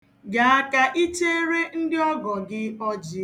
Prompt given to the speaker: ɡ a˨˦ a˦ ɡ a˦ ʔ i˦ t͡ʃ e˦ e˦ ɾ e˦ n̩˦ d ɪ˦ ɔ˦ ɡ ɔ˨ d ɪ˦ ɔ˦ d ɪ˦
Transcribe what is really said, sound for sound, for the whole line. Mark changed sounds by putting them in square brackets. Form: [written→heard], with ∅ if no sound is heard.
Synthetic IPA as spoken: ɡ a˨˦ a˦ [ɡ→k] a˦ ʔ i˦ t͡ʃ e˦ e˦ ɾ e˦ n̩˦ d ɪ˦ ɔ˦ ɡ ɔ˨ [d→ɡ] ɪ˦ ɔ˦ [d→d͡ʒ] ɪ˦